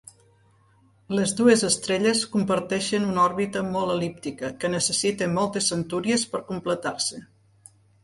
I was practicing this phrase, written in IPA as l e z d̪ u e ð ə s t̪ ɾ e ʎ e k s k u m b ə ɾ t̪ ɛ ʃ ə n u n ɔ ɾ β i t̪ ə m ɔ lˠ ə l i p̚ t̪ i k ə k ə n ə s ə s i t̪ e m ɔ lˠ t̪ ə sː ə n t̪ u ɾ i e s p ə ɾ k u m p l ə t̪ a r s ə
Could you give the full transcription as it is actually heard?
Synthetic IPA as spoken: l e z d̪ u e z ə s t̪ ɾ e ʎ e s k u m p ə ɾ t̪ ɛ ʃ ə n u n ɔ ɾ β i t̪ ə m ɔ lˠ ə l i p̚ t̪ i k ə k ə n ə s ə s i t̪ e m ɔ lˠ t̪ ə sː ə n t̪ u ɾ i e s p ə ɾ k u m p l ə t̪ a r s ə